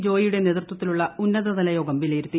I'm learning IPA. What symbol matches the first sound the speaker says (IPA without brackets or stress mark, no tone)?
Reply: d͡ʑ